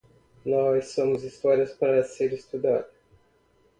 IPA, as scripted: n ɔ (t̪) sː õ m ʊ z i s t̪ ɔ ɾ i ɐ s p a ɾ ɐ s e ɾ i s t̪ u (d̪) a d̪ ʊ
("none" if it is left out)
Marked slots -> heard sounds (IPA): none, d̪

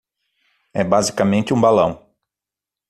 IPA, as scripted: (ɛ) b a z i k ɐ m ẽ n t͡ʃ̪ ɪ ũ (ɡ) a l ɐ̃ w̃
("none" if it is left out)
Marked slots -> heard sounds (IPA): ɛ, b

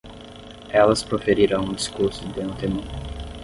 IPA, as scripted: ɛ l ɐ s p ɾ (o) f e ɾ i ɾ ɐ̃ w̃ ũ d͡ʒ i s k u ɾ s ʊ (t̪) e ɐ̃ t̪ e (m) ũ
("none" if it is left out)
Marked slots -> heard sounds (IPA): o, d̪, m

